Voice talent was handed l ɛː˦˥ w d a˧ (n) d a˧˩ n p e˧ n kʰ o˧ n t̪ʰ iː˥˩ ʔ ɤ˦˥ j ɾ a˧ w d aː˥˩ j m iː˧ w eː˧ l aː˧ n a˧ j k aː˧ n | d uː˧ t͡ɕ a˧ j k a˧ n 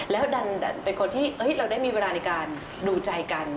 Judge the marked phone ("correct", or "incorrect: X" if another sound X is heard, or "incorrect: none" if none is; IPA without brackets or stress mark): correct